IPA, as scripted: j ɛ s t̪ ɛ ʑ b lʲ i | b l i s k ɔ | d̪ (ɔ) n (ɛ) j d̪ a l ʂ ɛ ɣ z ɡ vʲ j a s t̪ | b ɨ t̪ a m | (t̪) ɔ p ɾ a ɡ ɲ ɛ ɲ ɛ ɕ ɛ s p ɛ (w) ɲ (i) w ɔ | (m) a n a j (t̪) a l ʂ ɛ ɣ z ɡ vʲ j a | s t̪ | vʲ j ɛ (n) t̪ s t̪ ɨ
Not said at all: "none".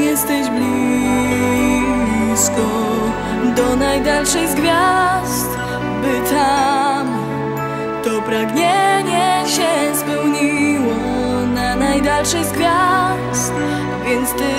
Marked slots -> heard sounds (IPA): ɔ, a, t̪, w, i, n, d̪, n

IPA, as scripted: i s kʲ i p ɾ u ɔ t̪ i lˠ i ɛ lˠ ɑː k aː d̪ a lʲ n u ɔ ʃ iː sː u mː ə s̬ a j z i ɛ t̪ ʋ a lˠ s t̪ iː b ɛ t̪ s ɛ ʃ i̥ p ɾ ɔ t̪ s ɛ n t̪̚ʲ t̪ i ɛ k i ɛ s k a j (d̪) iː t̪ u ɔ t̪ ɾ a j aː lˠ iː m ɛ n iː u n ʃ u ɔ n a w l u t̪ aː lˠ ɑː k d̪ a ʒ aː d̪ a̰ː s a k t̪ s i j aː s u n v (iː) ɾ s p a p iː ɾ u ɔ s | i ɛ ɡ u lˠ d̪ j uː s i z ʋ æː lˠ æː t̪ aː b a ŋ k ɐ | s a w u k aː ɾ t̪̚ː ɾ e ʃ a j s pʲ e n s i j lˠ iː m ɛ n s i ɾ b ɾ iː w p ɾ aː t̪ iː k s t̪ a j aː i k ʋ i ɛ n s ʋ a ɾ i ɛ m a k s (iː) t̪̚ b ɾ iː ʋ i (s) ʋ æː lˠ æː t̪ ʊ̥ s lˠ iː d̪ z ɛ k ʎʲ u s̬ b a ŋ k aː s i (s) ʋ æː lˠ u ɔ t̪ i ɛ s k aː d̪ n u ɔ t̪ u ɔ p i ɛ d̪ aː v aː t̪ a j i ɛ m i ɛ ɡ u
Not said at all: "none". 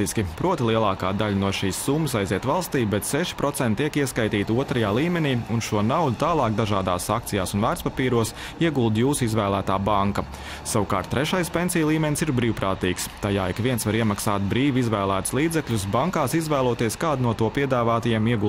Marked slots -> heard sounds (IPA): t̪, æː, aː, z, z

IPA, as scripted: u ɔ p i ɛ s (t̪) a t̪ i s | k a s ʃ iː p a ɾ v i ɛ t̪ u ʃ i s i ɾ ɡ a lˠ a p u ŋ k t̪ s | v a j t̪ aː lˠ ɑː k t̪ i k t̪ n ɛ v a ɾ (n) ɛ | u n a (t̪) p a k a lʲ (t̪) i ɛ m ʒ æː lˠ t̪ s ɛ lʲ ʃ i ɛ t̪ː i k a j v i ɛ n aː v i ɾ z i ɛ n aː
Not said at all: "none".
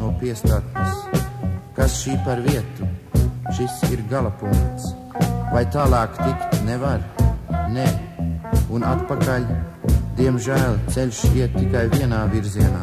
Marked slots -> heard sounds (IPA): t̪, n, t̪, d̪

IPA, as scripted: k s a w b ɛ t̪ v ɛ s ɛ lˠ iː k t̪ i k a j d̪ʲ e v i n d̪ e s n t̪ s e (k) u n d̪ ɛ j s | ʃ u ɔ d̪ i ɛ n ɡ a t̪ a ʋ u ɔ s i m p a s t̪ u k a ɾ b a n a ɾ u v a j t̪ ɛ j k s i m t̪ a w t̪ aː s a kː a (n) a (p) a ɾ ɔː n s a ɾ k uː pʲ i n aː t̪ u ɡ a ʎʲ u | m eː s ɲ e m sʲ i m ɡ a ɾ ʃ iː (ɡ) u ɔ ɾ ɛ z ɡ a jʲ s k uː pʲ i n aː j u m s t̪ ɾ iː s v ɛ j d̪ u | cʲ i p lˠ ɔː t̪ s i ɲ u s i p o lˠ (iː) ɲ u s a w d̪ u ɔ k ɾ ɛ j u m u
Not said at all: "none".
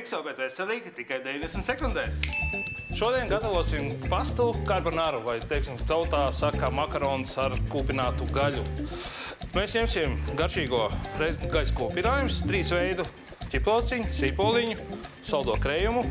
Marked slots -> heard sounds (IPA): k, m, k, ɡ, i

